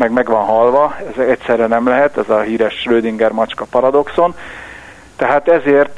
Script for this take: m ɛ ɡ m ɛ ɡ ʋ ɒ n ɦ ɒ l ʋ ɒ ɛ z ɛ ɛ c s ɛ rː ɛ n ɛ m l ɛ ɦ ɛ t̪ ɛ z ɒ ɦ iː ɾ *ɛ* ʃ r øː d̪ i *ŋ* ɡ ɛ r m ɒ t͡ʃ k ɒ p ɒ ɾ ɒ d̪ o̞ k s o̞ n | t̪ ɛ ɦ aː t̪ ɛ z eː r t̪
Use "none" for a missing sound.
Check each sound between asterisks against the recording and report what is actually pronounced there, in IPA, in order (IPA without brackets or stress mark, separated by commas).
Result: ɛ, ŋ